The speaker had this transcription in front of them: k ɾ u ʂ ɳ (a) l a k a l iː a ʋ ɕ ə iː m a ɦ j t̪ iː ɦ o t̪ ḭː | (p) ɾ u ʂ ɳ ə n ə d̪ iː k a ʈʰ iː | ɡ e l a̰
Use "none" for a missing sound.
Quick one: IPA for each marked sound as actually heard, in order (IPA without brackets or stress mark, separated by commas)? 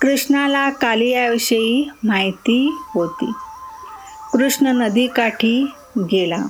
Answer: a, k